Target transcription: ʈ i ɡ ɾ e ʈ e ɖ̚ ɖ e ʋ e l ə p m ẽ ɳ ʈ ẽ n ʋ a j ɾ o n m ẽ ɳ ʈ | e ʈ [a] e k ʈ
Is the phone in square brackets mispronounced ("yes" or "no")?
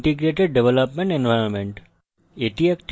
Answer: yes